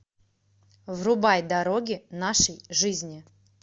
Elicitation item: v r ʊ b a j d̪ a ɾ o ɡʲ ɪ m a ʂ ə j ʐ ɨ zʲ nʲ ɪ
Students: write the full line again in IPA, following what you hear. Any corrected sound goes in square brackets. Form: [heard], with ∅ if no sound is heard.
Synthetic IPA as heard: v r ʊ b a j d̪ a ɾ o ɡʲ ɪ [n] a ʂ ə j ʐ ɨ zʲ nʲ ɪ